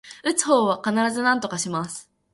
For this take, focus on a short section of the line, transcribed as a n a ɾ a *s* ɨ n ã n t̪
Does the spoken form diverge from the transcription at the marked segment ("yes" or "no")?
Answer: yes